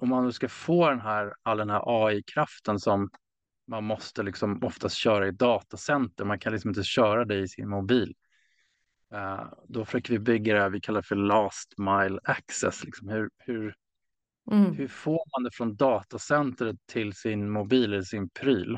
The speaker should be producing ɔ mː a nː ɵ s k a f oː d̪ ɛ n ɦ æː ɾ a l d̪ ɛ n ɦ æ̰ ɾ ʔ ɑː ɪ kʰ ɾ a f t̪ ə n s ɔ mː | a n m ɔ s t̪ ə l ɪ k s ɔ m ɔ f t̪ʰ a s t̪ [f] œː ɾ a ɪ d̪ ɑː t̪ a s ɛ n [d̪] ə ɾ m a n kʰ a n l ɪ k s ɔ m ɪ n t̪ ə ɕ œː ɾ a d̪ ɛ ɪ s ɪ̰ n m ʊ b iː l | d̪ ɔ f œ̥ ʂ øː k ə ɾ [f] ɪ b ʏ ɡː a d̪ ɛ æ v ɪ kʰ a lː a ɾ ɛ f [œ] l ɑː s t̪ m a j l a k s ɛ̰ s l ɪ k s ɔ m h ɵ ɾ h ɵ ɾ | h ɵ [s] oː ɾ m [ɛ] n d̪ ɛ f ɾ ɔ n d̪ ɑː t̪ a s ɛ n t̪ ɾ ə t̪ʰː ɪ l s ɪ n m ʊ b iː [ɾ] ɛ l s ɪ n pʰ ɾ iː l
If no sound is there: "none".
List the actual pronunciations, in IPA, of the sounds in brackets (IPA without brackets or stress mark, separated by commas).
ɕ, t̪, v, œ, f, a, l